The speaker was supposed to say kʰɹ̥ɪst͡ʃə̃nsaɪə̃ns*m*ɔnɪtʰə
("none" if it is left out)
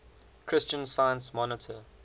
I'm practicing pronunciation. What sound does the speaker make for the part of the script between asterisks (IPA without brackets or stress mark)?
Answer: m